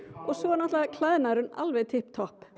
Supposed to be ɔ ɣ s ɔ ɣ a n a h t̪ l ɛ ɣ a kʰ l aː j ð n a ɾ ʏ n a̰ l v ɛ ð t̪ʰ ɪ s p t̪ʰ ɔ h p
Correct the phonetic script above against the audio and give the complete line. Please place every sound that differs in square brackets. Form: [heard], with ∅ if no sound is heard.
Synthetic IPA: ɔ ɣ s ɔ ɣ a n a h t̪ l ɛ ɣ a kʰ l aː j ð n a ɾ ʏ n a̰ l v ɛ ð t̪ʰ ɪ [h] p t̪ʰ ɔ h p